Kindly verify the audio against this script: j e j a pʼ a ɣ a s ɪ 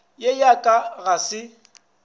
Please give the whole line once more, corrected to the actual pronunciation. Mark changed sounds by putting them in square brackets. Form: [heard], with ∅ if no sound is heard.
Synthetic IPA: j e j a [kʼ] a ɣ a s ɪ